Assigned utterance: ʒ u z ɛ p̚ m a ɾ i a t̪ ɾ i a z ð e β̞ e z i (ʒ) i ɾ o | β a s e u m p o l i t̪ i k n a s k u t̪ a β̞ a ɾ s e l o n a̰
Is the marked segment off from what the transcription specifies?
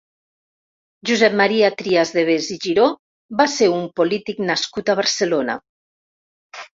no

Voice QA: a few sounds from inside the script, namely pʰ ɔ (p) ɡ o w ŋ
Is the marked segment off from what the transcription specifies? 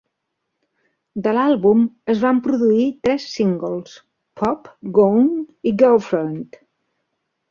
no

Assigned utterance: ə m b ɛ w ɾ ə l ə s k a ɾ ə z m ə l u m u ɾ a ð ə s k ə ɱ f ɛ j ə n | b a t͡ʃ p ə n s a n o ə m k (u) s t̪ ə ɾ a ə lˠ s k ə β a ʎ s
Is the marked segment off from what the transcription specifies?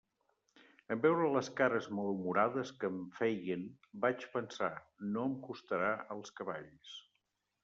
no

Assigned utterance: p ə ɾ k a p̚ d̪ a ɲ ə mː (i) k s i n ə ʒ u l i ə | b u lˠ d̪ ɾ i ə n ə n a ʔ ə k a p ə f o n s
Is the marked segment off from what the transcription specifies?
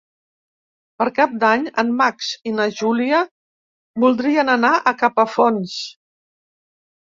yes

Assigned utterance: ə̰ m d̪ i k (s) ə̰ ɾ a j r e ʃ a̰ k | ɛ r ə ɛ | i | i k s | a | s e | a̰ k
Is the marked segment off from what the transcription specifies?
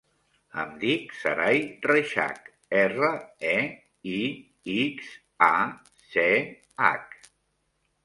no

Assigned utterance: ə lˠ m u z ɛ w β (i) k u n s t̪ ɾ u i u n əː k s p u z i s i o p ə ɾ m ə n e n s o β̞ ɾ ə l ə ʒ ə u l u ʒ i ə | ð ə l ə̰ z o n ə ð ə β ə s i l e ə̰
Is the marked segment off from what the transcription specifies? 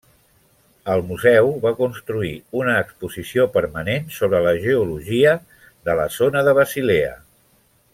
yes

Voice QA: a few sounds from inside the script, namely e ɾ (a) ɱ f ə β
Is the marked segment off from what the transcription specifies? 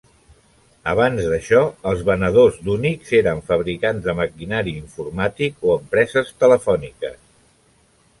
yes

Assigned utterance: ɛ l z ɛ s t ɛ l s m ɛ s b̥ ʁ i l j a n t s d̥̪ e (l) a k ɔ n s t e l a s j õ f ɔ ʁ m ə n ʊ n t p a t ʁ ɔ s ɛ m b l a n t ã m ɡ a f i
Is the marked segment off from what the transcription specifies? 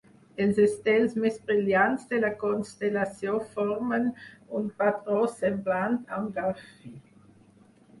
no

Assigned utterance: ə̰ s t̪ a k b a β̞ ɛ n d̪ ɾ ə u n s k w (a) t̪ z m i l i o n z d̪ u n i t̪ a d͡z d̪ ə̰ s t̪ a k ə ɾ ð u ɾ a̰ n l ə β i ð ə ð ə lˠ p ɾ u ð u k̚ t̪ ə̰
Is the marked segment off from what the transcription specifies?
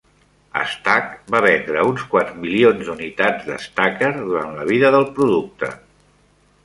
no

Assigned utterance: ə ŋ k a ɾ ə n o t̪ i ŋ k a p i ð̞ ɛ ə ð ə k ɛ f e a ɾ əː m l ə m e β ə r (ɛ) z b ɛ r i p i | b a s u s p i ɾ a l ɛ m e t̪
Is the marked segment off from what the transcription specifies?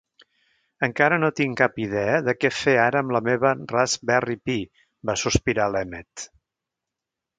yes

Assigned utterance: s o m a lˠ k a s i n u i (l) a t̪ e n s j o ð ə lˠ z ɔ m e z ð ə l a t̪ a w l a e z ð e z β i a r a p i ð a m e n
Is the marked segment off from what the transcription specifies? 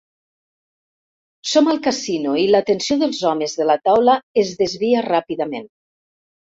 no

